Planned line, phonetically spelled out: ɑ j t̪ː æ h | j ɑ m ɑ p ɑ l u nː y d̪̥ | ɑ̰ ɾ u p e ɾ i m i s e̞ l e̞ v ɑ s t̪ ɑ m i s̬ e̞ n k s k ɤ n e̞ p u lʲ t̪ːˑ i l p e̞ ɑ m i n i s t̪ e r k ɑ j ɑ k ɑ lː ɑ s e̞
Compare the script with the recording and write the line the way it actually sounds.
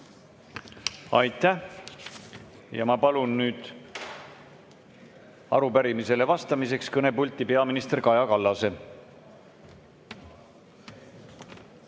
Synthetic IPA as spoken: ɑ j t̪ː æ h | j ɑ m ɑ p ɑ l u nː yː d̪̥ | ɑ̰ ɾ u p æ ɾ i m i s e̞ l e̞ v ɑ s t̪ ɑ m i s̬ e̞ k s k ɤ n e̞ p u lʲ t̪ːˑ i p e̞ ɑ m i n i s t̪ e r k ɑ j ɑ k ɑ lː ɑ s e̞